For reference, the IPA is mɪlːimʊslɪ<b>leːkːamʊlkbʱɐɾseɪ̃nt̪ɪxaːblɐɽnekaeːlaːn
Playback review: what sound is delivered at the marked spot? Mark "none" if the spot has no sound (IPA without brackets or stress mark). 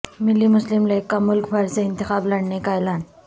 m